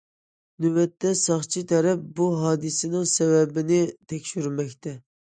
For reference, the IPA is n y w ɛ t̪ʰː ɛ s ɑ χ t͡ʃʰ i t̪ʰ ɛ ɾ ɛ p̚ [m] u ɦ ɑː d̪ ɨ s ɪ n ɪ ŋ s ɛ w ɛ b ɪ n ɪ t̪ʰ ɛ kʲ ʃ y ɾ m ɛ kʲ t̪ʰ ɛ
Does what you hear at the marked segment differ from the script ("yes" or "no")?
yes